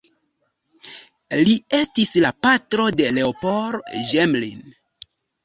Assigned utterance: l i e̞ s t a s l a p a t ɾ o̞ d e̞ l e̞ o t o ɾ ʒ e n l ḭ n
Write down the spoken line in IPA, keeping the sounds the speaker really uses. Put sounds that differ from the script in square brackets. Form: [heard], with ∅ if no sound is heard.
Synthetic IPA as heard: l i e̞ s t [i] s l a p a t ɾ o̞ d e̞ l e̞ o [p] o ɾ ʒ e [m] l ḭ n